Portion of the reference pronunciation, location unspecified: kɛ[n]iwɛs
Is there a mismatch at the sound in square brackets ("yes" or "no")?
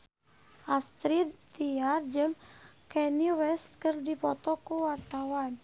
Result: no